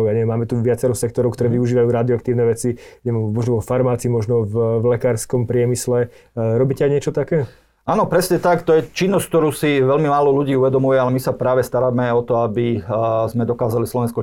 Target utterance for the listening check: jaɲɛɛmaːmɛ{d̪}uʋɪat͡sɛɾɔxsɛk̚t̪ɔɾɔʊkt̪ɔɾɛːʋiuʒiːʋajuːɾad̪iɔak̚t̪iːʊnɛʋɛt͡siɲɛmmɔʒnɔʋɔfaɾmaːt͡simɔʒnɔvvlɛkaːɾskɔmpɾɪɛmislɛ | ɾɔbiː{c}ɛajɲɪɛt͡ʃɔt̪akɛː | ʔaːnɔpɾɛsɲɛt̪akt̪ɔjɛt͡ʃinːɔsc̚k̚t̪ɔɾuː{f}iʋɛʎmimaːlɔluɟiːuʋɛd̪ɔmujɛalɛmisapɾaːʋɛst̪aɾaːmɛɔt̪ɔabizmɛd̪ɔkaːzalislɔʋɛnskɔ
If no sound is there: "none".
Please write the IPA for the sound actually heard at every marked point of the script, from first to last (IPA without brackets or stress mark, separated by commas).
t̪, c, s